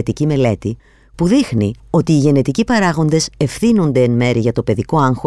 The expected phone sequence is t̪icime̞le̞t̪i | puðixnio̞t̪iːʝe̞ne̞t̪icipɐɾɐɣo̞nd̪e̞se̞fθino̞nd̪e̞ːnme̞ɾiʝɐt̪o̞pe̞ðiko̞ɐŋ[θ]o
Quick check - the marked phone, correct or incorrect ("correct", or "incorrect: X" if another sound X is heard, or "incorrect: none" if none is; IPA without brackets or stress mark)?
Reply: incorrect: x